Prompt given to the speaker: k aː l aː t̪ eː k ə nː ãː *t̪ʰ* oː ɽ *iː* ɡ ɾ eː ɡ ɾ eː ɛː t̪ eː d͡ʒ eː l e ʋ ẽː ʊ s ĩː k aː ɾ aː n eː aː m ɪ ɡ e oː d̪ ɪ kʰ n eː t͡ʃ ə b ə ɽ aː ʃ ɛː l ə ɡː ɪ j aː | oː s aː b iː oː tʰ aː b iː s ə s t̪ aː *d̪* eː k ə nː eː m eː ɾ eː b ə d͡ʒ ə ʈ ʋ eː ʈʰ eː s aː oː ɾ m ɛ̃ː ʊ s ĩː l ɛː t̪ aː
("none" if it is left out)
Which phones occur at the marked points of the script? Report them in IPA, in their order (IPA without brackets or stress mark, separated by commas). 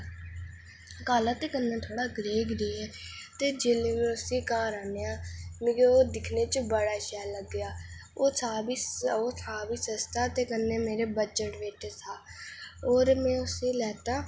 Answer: t̪ʰ, aː, t̪